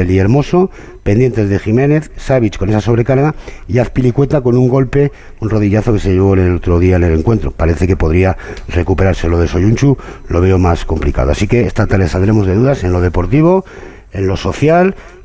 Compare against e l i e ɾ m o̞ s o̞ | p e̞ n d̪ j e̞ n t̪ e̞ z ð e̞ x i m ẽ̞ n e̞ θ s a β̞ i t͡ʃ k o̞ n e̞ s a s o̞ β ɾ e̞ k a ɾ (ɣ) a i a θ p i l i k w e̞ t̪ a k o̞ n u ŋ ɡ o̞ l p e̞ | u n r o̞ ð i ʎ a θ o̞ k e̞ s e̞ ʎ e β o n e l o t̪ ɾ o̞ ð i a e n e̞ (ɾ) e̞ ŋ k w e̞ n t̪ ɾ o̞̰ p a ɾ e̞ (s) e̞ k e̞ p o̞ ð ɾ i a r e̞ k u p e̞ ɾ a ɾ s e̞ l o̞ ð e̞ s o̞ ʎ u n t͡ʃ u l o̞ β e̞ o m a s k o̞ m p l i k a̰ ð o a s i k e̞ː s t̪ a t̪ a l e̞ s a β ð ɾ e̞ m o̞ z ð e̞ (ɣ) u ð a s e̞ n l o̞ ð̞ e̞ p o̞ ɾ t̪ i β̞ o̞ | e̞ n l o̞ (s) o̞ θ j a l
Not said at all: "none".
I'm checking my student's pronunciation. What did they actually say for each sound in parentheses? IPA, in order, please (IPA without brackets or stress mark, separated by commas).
ɣ, l, θ, ð, s